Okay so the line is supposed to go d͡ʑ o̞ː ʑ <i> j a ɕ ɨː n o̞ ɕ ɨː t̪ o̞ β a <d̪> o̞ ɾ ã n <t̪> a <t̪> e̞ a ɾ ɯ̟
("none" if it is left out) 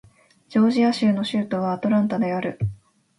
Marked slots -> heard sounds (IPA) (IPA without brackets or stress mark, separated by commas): i, t̪, t̪, d̪